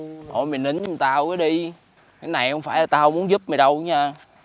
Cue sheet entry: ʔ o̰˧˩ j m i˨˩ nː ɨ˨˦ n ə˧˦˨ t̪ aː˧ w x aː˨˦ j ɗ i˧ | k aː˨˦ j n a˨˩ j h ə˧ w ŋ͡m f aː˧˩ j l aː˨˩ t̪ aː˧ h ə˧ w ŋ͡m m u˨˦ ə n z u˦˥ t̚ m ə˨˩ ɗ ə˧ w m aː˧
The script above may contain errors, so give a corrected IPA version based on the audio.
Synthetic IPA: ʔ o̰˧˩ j m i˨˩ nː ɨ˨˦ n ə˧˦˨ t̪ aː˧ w k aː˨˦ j ɗ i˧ | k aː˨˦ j n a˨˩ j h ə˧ w ŋ͡m f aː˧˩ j l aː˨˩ t̪ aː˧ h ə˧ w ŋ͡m m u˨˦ ə n z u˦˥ p̚ m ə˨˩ ɗ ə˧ w ɲ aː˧